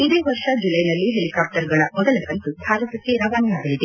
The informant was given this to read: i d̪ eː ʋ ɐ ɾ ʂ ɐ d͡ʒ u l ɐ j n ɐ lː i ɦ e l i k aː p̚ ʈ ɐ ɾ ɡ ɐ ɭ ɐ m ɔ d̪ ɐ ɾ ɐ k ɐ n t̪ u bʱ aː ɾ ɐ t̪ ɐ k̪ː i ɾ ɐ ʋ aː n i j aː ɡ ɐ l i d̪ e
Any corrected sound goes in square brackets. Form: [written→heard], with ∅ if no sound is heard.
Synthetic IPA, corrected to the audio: i d̪ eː ʋ ɐ ɾ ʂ ɐ d͡ʒ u l ɐ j n ɐ lː i ɦ e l i k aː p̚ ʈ ɐ ɾ ɡ ɐ ɭ ɐ m ɔ d̪ ɐ [ɾ→l] ɐ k ɐ n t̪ u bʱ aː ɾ ɐ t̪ ɐ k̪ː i ɾ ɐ ʋ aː n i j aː ɡ ɐ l i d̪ e